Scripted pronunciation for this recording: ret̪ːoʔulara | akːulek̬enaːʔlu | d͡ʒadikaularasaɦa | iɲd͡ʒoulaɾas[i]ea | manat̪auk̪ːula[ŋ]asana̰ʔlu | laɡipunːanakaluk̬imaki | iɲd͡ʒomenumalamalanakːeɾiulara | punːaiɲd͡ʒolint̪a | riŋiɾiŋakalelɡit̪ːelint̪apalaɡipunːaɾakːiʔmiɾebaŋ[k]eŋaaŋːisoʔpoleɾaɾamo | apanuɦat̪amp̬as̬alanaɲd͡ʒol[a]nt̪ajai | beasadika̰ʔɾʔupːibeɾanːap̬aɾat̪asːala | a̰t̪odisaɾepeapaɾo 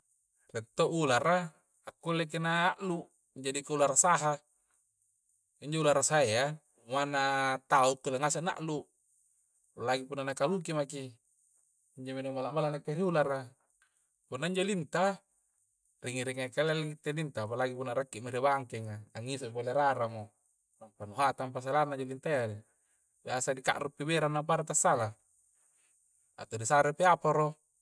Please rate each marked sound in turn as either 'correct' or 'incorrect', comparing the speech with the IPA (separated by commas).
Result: incorrect, correct, correct, incorrect